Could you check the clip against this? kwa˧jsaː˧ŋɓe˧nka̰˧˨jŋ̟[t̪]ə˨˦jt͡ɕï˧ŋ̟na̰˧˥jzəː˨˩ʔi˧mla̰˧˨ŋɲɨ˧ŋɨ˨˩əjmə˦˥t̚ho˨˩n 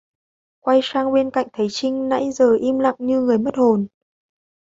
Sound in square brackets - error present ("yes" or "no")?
yes